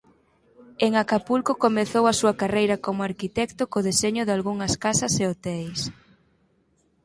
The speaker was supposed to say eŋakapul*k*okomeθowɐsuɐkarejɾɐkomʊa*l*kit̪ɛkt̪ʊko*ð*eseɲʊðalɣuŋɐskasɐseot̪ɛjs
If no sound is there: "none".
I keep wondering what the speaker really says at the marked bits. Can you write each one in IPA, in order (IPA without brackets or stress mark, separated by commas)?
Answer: k, ɾ, ð